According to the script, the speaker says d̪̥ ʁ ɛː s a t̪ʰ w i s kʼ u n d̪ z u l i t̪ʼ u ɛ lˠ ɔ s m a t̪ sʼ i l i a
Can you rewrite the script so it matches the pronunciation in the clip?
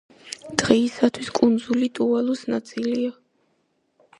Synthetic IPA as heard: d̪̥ ʁ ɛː s a t̪ʰ w i s kʼ u n d̪ z u l i t̪ʼ u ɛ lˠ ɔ s n a t̪ sʼ i l i a